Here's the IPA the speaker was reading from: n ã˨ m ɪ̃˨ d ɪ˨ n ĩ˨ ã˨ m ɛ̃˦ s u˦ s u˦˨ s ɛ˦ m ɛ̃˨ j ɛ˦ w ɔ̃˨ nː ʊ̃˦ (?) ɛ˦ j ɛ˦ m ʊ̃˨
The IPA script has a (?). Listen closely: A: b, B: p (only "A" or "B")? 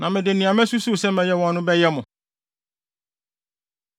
A